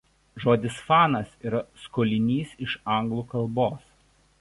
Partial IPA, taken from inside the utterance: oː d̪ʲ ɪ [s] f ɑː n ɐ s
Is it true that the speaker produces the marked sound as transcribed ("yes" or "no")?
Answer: yes